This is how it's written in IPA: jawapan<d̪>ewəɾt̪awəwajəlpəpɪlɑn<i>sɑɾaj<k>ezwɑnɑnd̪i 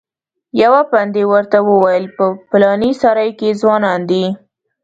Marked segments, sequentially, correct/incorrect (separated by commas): correct, correct, correct